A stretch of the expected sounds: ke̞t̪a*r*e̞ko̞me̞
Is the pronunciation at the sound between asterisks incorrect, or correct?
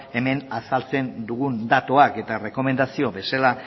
correct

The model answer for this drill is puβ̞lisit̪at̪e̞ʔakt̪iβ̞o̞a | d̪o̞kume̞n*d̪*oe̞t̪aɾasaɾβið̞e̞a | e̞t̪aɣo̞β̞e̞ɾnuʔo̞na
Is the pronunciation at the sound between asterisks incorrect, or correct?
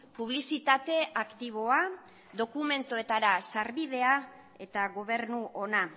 incorrect: t̪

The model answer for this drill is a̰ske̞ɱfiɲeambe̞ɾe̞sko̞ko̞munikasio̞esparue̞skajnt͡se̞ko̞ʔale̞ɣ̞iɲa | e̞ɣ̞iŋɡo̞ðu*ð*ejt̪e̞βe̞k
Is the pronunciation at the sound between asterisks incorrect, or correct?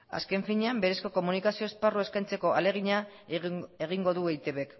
incorrect: none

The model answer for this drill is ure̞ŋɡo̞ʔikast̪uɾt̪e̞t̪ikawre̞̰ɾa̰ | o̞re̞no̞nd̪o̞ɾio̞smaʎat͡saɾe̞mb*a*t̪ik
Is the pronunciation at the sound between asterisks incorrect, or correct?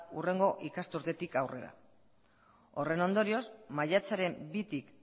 incorrect: i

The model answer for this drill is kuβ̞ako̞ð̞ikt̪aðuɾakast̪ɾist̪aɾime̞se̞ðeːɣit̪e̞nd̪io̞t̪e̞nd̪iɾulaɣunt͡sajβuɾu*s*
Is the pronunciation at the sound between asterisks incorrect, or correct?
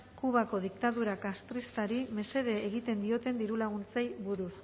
correct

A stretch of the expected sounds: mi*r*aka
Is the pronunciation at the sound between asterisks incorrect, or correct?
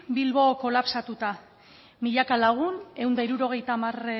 incorrect: ʎ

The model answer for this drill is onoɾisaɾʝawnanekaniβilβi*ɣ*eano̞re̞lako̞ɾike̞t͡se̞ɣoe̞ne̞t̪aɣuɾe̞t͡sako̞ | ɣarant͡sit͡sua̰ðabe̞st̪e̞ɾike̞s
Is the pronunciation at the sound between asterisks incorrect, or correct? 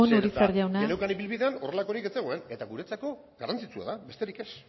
incorrect: ð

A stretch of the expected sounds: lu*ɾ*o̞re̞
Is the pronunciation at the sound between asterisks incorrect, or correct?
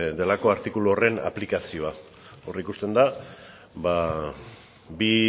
incorrect: none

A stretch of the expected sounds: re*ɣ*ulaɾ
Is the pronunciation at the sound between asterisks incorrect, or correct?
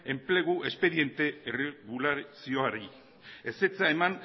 correct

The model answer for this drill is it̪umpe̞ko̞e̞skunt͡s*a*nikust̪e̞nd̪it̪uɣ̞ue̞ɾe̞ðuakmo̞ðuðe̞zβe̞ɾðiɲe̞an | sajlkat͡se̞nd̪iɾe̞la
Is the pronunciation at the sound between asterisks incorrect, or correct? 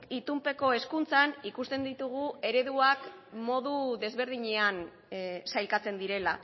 correct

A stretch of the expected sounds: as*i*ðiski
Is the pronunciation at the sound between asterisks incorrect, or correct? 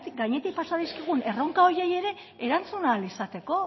incorrect: a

